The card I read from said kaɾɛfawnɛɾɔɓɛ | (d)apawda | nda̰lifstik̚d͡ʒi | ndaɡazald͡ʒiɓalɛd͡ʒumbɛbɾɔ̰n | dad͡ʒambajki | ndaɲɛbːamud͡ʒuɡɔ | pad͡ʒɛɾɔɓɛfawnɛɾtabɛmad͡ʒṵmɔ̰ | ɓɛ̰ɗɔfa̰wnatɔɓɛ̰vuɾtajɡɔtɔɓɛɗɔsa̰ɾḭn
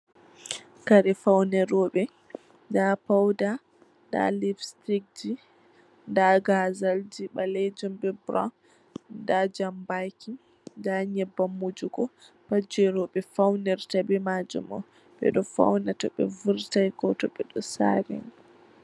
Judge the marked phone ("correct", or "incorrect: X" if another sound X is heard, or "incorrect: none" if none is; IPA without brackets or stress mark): correct